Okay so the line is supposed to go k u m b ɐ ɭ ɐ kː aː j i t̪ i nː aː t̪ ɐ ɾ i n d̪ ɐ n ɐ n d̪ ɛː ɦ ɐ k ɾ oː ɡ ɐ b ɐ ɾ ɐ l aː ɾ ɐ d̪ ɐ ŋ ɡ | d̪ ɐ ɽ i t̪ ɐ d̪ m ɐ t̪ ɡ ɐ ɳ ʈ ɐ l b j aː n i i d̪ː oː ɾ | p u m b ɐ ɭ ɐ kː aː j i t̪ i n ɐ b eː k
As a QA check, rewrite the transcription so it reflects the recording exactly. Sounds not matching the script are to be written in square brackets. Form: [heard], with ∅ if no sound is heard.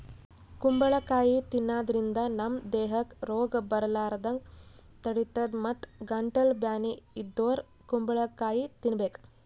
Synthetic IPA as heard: k u m b ɐ ɭ ɐ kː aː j i t̪ i nː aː [d̪] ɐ ɾ i n d̪ ɐ n ɐ [m] d̪ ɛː ɦ ɐ k ɾ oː ɡ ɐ b ɐ ɾ ɐ l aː ɾ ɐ d̪ ɐ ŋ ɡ | [t̪] ɐ ɽ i t̪ ɐ d̪ m ɐ t̪ ɡ ɐ ɳ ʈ ɐ l b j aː n i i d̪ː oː ɾ | [k] u m b ɐ ɭ ɐ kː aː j i t̪ i n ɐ b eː k

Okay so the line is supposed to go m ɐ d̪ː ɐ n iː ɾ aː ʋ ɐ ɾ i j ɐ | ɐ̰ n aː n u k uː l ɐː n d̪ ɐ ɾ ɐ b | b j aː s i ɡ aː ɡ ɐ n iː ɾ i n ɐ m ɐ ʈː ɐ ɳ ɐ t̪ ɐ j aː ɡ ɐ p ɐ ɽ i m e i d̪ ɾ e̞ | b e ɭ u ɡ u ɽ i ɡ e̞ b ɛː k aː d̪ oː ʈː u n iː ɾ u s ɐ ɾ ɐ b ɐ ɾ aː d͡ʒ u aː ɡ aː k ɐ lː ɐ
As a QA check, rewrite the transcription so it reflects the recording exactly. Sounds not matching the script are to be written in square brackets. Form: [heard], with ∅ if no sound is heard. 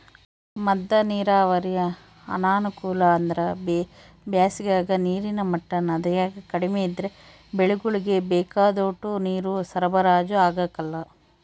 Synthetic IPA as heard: m ɐ d̪ː ɐ n iː ɾ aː ʋ ɐ ɾ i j ɐ | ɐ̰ n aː n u k uː l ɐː n d̪ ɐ ɾ ɐ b | b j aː s i ɡ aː ɡ ɐ n iː ɾ i n ɐ m ɐ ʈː ɐ [n] ɐ [d̪] ɐ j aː ɡ ɐ [k] ɐ ɽ i m e i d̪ ɾ e̞ | b e ɭ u ɡ u [ɭ] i ɡ e̞ b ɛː k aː d̪ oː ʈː u n iː ɾ u s ɐ ɾ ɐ b ɐ ɾ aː d͡ʒ u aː ɡ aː k ɐ lː ɐ

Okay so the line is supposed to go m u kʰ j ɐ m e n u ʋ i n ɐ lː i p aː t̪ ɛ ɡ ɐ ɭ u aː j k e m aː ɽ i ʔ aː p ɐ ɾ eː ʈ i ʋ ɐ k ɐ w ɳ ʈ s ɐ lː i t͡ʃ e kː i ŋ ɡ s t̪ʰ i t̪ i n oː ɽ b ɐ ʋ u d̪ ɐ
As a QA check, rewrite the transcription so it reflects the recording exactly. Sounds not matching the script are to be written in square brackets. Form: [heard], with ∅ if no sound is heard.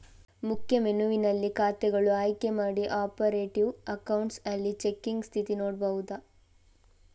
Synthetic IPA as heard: m u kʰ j ɐ m e n u ʋ i n ɐ lː i [k] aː t̪ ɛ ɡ ɐ ɭ u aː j k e m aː ɽ i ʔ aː p ɐ ɾ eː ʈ i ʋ ɐ k ɐ w ɳ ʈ s ɐ lː i t͡ʃ e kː i ŋ ɡ s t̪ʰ i t̪ i n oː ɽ b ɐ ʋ u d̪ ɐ

